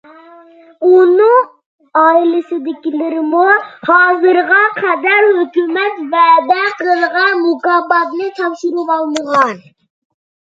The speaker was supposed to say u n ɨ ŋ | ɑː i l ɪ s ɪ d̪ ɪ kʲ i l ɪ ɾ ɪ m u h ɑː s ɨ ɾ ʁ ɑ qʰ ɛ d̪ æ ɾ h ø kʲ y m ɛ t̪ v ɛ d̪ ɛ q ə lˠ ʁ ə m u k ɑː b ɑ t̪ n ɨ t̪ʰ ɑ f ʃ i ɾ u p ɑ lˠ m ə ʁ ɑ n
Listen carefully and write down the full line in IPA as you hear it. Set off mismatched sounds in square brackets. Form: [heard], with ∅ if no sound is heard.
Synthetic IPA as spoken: u n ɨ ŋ | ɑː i l ɪ s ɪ d̪ ɪ kʲ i l ɪ ɾ ɪ m u h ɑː [z] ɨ ɾ ʁ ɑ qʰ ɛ d̪ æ ɾ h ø kʲ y m ɛ t̪ v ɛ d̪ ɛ q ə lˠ ʁ [ɑ] m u k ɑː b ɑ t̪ n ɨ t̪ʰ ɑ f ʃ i ɾ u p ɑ lˠ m ə ʁ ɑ n